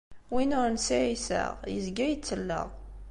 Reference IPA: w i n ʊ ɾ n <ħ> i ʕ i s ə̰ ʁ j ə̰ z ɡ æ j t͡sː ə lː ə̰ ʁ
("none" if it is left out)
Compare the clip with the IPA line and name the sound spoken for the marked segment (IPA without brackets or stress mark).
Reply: s